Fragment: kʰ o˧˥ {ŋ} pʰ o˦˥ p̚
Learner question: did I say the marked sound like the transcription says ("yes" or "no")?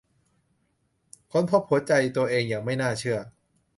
no